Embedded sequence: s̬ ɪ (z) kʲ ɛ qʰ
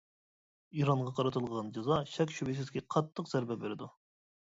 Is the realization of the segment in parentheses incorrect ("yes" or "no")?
no